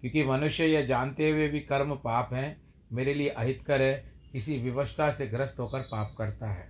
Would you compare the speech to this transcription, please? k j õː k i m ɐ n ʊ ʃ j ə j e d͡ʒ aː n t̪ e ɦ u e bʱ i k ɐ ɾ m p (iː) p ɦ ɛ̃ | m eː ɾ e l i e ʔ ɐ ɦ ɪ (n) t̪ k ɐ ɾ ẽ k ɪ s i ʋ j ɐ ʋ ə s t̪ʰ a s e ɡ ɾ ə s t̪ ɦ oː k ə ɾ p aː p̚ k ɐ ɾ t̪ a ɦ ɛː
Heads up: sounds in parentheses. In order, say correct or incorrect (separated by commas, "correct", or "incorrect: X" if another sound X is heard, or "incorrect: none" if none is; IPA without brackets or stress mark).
incorrect: aː, incorrect: none